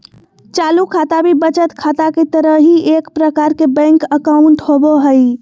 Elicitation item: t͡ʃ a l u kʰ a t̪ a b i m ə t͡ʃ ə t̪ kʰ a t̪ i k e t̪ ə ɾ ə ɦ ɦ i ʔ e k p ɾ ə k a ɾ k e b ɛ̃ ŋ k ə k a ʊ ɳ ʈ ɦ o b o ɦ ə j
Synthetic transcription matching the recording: t͡ʃ a l u kʰ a t̪ a b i b ə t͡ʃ ə t̪ kʰ a t̪ a k e t̪ ə ɾ ə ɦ ɦ i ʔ e k p ɾ ə k a ɾ k e b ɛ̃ ŋ k ə k a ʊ ɳ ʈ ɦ o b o ɦ ə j